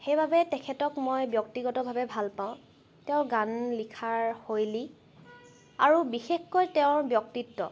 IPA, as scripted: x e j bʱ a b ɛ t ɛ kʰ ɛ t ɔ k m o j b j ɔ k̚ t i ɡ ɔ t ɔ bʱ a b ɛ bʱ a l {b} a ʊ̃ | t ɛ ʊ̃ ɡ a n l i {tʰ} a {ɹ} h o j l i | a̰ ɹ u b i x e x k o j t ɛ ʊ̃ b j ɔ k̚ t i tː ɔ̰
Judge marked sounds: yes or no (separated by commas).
no, no, yes